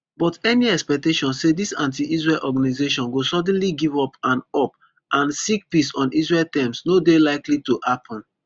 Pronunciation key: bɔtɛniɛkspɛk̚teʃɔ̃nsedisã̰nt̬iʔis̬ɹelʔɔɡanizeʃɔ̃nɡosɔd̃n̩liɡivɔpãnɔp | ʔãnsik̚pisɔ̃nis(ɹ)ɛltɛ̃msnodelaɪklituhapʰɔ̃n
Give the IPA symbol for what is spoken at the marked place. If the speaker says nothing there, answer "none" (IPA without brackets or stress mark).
ɹ